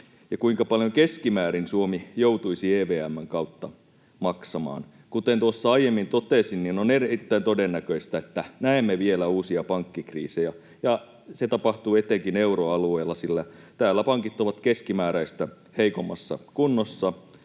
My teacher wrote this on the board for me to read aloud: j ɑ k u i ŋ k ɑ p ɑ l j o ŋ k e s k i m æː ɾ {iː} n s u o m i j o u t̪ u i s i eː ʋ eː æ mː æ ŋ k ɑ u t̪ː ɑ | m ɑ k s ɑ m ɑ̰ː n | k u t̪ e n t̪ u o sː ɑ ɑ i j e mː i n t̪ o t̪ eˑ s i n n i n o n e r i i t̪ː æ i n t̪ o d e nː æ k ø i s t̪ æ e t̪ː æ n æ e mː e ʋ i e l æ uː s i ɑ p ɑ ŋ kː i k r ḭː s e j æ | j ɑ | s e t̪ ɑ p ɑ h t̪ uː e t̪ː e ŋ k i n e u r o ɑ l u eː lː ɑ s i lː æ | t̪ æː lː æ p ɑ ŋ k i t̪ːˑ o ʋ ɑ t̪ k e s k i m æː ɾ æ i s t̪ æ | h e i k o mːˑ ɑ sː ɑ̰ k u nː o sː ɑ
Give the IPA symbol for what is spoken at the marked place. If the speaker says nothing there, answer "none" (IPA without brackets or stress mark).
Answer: i